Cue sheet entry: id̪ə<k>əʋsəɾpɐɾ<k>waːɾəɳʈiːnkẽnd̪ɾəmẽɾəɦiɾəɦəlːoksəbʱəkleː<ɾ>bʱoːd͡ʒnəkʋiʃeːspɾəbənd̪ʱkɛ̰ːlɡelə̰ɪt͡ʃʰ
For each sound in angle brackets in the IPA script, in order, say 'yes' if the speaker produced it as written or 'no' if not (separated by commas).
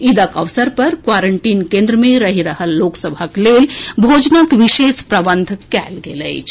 yes, yes, no